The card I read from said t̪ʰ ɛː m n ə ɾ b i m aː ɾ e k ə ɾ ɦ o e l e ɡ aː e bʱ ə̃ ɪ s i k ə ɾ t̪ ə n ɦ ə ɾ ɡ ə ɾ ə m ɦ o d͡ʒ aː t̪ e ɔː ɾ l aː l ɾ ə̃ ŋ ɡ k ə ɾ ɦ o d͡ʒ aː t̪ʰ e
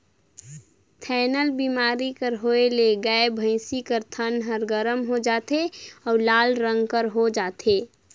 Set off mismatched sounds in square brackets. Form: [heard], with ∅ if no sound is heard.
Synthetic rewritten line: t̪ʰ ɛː [∅] n ə [l] b i m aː ɾ [i] k ə ɾ ɦ o e l e ɡ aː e bʱ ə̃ ɪ s i k ə ɾ [t̪ʰ] ə n ɦ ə ɾ ɡ ə ɾ ə m ɦ o d͡ʒ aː t̪ e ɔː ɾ l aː l ɾ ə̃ ŋ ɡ k ə ɾ ɦ o d͡ʒ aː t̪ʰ e